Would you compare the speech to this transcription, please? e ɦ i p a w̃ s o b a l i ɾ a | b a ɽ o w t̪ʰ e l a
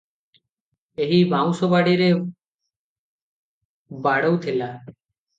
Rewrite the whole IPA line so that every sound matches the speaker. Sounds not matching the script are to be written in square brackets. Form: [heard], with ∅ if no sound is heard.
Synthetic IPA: e ɦ i [b] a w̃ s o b a [ɽ] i ɾ [e] | b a ɽ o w t̪ʰ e l a